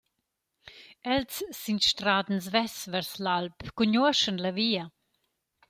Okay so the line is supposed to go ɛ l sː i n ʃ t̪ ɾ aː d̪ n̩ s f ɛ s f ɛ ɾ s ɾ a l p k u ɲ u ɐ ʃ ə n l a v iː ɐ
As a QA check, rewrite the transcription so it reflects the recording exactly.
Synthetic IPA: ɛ l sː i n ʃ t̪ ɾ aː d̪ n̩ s v ɛ s v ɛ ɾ s l a l p k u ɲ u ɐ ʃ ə n l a v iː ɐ